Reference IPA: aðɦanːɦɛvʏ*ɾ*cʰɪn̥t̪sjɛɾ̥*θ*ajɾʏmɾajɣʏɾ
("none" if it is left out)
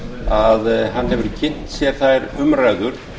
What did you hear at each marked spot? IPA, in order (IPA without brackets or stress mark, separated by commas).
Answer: ɾ, θ